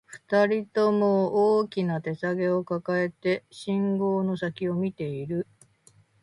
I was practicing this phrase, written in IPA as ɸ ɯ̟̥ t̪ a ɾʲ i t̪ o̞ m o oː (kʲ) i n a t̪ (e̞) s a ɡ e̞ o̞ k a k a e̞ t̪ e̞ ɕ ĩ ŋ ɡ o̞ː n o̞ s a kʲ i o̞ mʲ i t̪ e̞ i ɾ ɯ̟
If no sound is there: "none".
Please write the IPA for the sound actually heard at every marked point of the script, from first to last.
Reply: kʲ, e̞

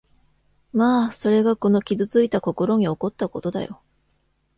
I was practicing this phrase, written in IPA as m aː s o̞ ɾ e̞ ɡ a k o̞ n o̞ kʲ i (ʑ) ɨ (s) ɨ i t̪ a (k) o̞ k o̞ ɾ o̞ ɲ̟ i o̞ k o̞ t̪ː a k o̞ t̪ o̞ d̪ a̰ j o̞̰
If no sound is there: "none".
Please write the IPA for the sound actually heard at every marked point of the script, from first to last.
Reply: z, t͡s, k

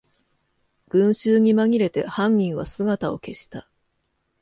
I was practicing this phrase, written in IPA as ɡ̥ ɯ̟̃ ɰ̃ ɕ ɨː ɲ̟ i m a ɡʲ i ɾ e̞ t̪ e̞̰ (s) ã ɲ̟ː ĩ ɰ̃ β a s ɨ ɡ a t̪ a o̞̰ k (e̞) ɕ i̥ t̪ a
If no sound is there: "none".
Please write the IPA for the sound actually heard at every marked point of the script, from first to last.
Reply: h, e̞

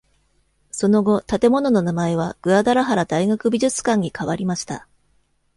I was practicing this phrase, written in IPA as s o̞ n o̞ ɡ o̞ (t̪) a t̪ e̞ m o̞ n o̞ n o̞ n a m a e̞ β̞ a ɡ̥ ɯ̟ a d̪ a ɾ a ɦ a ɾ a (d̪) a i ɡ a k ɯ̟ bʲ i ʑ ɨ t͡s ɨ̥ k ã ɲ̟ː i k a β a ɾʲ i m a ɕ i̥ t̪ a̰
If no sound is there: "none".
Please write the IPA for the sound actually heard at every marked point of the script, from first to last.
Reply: t̪, d̪

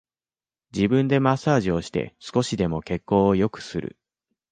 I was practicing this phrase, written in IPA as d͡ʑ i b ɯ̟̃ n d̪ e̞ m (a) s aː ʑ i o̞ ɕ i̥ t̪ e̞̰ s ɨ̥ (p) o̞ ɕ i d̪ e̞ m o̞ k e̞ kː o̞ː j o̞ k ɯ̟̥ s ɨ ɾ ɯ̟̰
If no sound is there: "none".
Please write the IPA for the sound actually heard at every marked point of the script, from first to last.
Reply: a, k

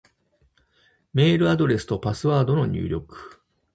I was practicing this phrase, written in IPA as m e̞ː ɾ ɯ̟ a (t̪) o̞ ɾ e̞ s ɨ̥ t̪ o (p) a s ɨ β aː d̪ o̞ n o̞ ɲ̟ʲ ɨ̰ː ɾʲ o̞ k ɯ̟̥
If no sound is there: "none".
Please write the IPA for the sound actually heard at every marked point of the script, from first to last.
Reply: d̪, p

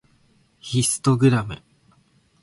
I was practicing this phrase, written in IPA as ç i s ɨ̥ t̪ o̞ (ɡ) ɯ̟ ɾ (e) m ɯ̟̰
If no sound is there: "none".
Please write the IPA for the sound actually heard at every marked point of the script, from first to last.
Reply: ɡ, a

